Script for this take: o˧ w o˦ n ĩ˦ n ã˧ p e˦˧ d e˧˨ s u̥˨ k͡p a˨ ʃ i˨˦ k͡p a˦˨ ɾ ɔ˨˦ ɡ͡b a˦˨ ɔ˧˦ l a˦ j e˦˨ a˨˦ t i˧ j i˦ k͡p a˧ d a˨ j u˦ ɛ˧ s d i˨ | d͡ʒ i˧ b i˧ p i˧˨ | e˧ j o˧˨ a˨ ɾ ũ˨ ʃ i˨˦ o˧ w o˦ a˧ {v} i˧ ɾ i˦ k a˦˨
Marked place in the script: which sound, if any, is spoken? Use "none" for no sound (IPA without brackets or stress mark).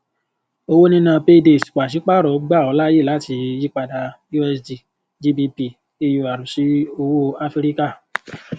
f